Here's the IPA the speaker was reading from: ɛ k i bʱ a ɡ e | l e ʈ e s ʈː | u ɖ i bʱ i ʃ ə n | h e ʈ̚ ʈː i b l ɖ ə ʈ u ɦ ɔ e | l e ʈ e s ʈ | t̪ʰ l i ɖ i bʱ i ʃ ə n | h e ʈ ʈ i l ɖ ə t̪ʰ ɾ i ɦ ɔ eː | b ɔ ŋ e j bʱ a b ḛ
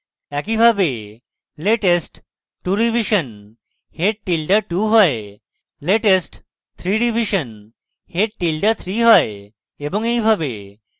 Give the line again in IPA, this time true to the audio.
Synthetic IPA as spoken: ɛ k i bʱ a b e | l e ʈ e s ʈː | u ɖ i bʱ i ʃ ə n | h e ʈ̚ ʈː i l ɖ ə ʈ u ɦ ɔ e | l e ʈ e s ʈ | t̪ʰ ɾ i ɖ i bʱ i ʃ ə n | h e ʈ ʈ i l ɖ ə t̪ʰ ɾ i ɦ ɔ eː | b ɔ ŋ e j bʱ a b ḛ